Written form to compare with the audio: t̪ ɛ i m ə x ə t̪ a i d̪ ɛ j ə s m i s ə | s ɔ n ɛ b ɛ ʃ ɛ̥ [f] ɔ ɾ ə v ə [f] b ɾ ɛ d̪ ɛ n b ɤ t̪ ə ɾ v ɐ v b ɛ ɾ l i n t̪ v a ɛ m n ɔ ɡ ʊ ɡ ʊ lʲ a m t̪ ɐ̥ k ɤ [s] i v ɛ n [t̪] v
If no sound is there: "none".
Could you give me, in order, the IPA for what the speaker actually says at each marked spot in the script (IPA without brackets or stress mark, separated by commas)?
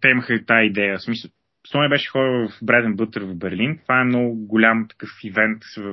x, f, f, t̪